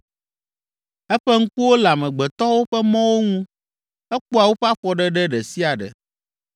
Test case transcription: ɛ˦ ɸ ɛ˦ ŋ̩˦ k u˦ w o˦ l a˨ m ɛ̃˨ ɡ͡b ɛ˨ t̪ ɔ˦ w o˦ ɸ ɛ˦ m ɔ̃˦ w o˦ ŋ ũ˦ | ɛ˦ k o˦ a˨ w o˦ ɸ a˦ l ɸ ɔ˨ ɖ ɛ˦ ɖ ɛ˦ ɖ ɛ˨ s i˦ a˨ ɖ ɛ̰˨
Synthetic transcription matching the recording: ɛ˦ ɸ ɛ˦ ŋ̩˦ k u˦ w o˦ l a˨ m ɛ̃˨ ɡ͡b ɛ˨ t̪ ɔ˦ w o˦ ɸ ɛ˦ m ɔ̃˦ w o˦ ŋ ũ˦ | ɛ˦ k͡p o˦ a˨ w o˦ ɸ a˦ ɸ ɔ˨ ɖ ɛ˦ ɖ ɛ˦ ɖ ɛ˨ s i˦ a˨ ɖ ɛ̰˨